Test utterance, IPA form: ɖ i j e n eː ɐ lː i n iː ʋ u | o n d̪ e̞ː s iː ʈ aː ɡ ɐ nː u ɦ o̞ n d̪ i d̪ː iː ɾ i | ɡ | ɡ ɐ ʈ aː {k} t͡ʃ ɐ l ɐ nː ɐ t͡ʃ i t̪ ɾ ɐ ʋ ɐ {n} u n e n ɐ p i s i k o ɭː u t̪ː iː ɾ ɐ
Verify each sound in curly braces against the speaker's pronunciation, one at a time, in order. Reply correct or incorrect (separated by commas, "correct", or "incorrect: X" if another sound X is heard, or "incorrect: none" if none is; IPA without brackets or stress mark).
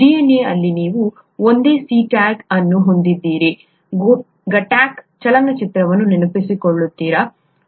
correct, incorrect: nː